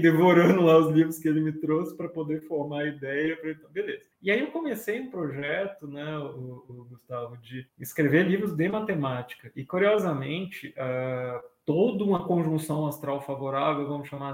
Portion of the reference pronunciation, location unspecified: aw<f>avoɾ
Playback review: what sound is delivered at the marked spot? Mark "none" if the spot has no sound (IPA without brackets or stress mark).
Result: f